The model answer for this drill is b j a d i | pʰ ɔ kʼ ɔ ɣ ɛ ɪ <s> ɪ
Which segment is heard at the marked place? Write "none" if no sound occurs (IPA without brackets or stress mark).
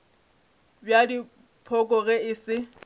s